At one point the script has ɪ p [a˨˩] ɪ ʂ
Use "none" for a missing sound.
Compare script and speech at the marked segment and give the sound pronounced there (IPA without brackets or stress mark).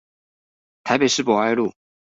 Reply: e˨˩